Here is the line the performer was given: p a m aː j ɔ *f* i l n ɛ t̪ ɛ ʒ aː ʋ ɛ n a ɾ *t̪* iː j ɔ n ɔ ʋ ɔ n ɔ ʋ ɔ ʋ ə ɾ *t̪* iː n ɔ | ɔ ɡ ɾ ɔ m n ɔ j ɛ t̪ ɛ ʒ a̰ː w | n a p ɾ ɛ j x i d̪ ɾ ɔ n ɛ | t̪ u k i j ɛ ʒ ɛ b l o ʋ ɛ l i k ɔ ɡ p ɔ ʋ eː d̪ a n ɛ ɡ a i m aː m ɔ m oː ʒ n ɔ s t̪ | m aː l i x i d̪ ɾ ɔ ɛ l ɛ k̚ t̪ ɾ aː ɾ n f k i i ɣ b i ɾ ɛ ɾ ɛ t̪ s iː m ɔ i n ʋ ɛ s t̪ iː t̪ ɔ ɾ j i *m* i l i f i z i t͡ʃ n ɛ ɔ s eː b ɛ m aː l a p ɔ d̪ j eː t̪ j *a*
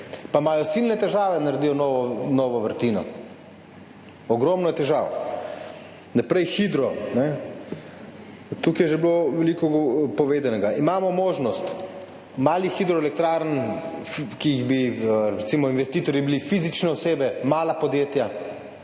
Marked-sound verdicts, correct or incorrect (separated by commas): incorrect, incorrect, correct, incorrect, correct